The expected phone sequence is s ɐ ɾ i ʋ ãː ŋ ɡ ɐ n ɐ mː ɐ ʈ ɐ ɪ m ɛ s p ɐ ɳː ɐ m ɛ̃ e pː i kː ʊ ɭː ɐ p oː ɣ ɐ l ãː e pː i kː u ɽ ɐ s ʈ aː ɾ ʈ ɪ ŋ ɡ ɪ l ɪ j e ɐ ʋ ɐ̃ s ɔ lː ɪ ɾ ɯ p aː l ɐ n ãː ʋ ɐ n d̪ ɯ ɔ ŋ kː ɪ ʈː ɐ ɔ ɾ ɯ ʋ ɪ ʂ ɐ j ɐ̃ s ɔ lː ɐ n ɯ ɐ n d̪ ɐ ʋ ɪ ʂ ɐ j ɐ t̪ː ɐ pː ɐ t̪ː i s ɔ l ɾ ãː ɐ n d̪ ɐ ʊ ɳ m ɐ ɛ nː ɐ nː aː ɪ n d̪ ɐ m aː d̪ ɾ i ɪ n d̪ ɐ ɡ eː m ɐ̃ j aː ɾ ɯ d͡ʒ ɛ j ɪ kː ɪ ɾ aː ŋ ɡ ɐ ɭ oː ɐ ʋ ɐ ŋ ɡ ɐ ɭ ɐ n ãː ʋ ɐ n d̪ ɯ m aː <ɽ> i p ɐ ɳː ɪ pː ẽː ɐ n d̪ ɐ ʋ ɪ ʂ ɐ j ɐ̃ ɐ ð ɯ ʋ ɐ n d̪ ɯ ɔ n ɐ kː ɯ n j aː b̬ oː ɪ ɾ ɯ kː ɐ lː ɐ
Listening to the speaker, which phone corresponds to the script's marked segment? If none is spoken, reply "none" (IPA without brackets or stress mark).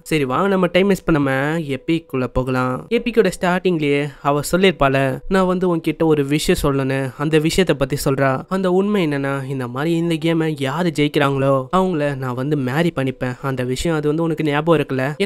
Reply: ɾ